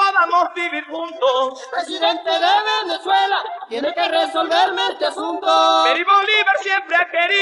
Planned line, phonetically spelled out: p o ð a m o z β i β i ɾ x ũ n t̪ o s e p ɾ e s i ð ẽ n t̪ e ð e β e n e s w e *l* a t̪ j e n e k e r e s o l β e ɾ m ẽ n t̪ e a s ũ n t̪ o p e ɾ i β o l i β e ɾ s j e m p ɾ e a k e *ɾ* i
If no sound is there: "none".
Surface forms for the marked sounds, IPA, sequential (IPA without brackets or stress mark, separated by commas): l, ɾ